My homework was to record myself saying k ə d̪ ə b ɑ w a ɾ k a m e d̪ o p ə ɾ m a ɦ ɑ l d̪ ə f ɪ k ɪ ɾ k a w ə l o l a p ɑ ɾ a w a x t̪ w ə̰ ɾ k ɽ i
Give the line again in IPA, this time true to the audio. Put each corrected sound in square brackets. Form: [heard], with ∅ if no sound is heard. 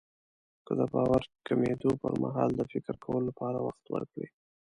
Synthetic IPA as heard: k ə d̪ ə b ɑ w a ɾ k a m e d̪ o p ə ɾ m a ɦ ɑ l d̪ ə f ɪ k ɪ ɾ k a w ə l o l a p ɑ ɾ a w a x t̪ w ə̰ ɾ k ɽ i